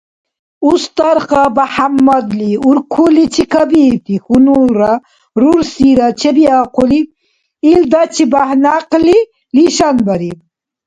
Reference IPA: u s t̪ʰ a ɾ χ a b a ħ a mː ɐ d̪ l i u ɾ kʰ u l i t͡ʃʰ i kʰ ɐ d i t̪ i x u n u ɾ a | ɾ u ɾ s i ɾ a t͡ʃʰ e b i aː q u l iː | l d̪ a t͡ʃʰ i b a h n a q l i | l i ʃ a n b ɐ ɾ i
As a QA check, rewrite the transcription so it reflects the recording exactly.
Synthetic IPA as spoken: u s t̪ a ɾ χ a b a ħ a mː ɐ d̪ l i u ɾ kʰ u l i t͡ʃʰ i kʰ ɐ b i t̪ i x u n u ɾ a | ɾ u ɾ s i ɾ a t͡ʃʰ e b i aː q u l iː | l d̪ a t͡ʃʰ i b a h n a q l i | l i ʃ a n b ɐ ɾ i